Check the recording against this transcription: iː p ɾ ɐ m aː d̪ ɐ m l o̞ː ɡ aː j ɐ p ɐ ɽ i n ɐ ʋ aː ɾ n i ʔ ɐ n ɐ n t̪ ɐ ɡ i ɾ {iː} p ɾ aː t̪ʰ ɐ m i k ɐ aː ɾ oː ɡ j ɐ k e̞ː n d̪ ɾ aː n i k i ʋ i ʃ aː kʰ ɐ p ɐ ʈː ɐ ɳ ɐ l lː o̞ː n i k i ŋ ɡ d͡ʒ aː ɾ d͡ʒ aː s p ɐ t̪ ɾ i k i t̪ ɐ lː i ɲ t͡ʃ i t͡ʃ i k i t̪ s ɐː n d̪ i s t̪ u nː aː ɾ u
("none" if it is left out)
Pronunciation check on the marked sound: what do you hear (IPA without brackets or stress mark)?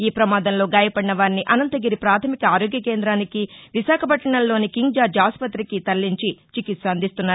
i